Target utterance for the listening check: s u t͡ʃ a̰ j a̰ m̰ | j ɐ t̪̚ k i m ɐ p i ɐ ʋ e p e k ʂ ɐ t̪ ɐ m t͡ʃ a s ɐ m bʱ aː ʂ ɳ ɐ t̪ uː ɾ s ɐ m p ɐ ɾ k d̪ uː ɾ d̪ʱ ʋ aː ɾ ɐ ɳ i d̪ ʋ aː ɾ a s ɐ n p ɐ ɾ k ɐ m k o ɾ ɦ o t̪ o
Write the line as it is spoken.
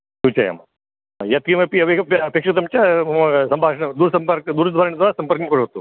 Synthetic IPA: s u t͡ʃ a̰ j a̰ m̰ | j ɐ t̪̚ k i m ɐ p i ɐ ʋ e p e k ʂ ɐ t̪ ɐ m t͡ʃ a s ɐ m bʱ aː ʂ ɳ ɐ d̪ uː ɾ s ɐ m p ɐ ɾ k d̪ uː ɾ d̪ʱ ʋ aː ɾ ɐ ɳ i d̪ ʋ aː ɾ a s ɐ m p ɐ ɾ k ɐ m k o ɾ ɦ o t̪ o